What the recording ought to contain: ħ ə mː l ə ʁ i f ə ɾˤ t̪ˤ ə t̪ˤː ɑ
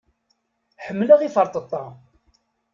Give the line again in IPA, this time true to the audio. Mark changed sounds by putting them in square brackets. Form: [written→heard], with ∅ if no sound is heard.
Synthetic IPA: ħ ə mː l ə ʁ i f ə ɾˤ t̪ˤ ə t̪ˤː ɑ